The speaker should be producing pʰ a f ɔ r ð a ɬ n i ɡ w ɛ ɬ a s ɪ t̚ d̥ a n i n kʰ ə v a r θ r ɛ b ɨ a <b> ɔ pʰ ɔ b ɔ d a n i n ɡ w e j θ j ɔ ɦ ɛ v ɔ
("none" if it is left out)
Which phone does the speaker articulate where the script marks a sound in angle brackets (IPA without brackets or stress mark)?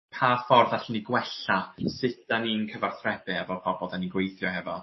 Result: v